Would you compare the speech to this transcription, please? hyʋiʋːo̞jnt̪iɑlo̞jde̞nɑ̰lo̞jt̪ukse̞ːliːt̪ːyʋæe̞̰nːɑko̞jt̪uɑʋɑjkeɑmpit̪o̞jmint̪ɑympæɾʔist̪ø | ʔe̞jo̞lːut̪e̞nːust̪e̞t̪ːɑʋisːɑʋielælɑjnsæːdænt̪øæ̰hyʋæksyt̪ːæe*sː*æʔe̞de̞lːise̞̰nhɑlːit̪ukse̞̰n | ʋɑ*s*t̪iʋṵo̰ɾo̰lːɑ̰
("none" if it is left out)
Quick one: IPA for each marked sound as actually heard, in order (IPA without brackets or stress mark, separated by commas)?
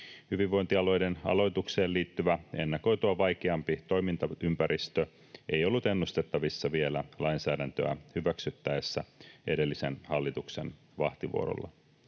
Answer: sː, h